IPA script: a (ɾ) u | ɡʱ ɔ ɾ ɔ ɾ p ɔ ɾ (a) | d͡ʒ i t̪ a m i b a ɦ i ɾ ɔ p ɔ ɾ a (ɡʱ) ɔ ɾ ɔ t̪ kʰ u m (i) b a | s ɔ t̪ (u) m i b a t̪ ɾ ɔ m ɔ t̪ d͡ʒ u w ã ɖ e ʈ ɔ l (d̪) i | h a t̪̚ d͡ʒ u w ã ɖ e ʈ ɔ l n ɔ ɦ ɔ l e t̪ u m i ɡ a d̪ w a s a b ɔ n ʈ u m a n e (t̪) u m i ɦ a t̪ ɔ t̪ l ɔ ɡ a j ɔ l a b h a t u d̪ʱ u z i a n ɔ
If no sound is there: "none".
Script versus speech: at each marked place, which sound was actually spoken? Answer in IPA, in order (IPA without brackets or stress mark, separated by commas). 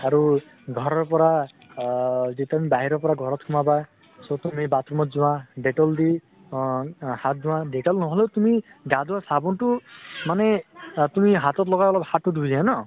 ɾ, a, ɡʱ, a, u, d̪, t̪